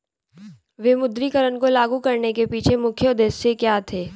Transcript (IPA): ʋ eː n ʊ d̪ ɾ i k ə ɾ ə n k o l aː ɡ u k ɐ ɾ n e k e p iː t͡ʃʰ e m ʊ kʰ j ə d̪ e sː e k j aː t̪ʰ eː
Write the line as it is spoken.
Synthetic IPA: ʋ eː m ʊ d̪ ɾ i k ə ɾ ə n k o l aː ɡ u k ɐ ɾ n e k e p iː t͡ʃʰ e m ʊ kʰ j ə d̪ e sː e k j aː t̪ʰ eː

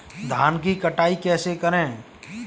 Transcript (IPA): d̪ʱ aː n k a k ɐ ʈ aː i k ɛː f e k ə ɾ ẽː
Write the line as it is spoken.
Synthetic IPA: d̪ʱ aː n k i k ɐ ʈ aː i k ɛː s e k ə ɾ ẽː

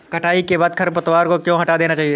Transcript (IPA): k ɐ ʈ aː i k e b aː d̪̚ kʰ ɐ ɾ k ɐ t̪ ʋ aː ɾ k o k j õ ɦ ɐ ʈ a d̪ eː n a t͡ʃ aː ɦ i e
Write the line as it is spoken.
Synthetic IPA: k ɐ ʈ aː i k e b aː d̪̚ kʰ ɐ ɾ p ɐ t̪ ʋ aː ɾ k o k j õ ɦ ɐ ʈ a d̪ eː n a t͡ʃ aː ɦ i e

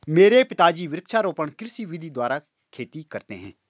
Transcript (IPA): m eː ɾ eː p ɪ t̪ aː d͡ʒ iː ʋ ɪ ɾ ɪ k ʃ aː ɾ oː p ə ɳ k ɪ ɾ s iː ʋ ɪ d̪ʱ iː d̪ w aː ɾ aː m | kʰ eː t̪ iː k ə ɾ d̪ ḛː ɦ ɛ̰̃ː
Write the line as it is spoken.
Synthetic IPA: m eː ɾ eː p ɪ t̪ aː d͡ʒ iː ʋ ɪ ɾ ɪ k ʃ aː ɾ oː p ə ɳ k ɪ ɾ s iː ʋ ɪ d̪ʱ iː d̪ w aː ɾ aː | kʰ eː t̪ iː k ə ɾ t̪ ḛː ɦ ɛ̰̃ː

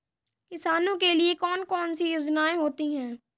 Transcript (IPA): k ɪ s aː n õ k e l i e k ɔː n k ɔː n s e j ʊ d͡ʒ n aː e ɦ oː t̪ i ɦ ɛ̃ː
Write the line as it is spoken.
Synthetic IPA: k ɪ s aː n õ k e l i e k ɔː n k ɔː n s i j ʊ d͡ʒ n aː e ɦ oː t̪ i ɦ ɛ̃ː

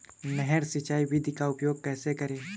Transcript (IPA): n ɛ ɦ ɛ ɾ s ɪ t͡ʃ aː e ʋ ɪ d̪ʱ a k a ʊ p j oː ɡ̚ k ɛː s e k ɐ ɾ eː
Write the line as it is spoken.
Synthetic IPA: n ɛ ɦ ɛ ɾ s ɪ t͡ʃ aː i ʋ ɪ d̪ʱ i k a ʊ p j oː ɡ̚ k ɛː s e k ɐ ɾ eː

